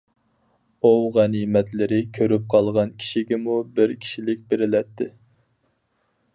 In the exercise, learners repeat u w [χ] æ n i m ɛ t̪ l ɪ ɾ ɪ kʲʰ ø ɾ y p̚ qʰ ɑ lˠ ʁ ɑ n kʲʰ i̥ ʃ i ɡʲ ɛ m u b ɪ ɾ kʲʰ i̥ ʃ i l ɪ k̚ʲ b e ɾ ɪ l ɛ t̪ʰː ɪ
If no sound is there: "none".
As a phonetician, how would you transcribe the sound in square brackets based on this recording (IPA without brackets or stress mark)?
ʁ